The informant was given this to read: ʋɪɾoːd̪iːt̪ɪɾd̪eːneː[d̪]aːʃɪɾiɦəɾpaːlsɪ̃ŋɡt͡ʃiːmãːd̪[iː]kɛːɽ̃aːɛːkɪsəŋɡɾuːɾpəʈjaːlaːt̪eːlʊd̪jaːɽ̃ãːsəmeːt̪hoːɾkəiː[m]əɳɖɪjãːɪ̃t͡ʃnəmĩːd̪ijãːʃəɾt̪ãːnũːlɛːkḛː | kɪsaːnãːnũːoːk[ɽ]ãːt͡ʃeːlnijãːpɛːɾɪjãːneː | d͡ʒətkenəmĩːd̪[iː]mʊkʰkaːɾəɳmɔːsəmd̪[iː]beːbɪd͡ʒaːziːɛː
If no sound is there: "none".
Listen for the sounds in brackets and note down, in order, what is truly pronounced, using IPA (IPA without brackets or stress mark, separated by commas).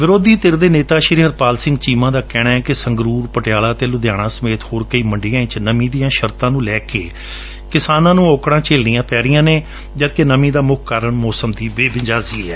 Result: t̪, aː, m, ɽ, aː, iː